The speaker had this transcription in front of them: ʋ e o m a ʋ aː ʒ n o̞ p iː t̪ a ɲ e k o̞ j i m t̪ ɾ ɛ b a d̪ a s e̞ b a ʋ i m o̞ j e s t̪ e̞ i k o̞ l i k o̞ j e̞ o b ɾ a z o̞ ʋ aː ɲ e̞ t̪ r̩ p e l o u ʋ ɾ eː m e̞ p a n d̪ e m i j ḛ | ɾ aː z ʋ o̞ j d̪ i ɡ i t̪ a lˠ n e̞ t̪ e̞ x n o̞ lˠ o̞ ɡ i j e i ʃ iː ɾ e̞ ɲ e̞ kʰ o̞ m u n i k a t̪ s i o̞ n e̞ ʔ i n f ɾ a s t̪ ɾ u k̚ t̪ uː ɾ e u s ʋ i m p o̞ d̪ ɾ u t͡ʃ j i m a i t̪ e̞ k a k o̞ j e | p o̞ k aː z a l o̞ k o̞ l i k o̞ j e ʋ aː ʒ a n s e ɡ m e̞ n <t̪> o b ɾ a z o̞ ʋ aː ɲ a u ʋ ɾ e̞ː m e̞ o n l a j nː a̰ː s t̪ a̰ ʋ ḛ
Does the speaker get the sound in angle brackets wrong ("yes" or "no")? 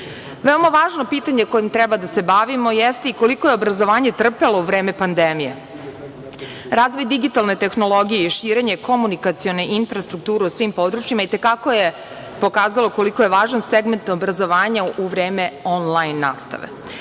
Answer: no